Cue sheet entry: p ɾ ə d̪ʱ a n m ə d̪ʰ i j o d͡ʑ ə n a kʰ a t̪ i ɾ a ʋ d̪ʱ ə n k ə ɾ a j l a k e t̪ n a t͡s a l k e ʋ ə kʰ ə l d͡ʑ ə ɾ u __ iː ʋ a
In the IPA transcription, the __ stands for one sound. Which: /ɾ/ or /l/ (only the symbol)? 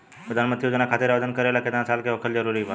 ɾ